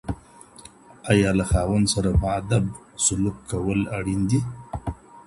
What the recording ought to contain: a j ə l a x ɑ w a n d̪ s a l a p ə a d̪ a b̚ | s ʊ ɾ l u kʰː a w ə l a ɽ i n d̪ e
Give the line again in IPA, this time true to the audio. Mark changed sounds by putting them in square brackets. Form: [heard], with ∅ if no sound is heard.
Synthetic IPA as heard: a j [ɑ] l a x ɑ w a n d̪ s a [ɾ] a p ə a d̪ a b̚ | s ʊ [∅] l u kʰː a w ə l a ɽ i n d̪ [i]